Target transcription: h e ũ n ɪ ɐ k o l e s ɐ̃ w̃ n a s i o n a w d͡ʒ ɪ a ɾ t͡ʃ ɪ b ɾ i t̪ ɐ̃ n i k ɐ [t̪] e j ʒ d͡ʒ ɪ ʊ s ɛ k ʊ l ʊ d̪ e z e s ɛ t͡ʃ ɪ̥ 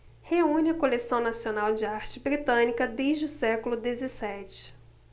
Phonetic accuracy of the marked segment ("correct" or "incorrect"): incorrect